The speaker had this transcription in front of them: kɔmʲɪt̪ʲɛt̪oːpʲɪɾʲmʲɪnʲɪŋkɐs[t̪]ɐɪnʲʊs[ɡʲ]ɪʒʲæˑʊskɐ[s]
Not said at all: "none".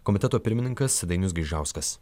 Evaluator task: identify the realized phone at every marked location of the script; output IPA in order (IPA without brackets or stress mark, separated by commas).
d̪, ɡʲ, s